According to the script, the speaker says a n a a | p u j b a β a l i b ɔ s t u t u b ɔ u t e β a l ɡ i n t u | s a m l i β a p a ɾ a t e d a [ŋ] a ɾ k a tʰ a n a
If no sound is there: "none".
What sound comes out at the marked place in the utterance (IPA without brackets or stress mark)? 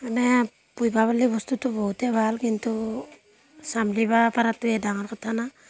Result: ŋ